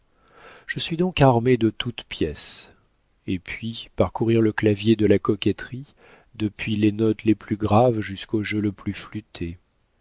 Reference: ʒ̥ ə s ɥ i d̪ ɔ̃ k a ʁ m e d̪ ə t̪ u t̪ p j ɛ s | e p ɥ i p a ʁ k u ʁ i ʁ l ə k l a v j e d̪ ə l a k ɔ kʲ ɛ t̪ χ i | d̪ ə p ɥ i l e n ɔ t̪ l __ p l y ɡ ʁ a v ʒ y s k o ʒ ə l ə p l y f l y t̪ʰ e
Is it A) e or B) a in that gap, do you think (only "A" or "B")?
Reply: A